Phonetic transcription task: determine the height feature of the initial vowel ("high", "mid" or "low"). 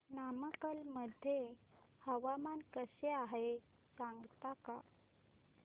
low